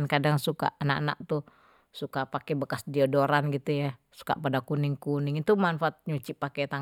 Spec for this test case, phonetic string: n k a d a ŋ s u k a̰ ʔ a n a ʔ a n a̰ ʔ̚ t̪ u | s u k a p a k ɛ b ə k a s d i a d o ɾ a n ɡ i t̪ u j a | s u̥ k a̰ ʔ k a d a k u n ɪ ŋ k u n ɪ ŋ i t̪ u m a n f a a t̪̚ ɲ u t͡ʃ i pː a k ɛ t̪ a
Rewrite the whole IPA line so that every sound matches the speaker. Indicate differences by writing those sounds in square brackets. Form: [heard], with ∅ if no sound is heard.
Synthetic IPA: n k a d a ŋ s u k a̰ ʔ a n a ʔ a n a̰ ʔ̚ t̪ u | s u k a p a k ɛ b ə k a s d i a d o ɾ a n ɡ i t̪ u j a | s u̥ k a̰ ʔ [p] a d a k u n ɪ ŋ k u n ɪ ŋ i t̪ u m a n f a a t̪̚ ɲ u t͡ʃ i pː a k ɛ t̪ a